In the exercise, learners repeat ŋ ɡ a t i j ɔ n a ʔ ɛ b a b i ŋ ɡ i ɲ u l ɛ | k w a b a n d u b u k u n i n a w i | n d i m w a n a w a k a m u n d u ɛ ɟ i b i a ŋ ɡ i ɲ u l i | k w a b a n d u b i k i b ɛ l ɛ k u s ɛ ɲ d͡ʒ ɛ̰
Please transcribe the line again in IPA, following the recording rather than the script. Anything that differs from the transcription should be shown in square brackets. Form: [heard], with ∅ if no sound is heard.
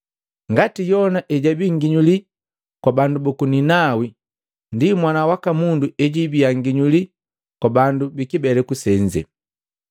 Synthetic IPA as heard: ŋ ɡ a t i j ɔ n a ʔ ɛ [ɟ] a b i ŋ ɡ i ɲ u l [i] | k w a b a n d u b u k u n i n a w i | n d i m w a n a w a k a m u n d u ɛ ɟ i b i a ŋ ɡ i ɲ u l i | k w a b a n d u b i k i b ɛ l ɛ k u s ɛ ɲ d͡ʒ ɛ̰